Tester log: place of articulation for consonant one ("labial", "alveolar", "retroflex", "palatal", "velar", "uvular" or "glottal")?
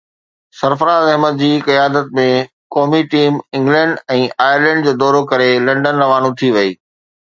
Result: alveolar